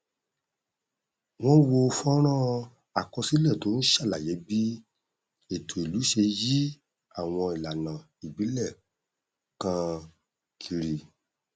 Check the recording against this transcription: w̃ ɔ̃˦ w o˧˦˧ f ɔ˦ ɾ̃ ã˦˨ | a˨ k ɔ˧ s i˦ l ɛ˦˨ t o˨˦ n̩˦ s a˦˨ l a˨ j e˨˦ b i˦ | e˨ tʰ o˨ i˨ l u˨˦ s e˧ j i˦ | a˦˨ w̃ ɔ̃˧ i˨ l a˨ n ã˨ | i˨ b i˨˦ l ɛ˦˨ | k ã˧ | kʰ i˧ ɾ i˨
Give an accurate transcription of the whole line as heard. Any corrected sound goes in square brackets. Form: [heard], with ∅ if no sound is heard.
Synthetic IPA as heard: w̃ ɔ̃˦ w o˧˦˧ f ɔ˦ ɾ̃ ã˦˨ | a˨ k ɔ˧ s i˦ l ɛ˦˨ t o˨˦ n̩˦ [ʃ] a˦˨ l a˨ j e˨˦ b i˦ | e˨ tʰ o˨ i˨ l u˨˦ [ʃ] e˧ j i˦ | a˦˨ w̃ ɔ̃˧ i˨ l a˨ n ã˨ | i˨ b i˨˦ l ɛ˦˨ | k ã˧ | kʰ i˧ ɾ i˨